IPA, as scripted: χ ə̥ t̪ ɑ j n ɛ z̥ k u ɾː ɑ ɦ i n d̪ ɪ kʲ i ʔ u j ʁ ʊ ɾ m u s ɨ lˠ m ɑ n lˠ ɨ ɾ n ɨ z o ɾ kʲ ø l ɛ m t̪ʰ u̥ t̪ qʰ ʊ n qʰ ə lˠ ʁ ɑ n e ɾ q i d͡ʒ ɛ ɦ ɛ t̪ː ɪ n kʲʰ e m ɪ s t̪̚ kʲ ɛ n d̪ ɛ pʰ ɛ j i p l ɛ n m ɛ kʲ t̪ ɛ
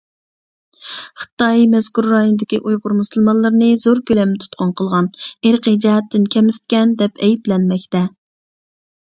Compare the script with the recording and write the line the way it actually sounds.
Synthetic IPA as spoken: χ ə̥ t̪ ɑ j m ɛ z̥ k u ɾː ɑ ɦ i n d̪ ɪ kʲ i ʔ u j ʁ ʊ ɾ m u s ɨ lˠ m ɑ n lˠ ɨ ɾ n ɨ z o ɾ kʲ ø l ɛ m t̪ʰ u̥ t̪ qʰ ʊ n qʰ ə lˠ ʁ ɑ n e ɾ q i d͡ʒ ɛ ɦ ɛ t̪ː ɪ n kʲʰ ɛ m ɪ s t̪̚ kʲ ɛ n d̪ ɛ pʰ ɛ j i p l ɛ n m ɛ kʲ t̪ ɛ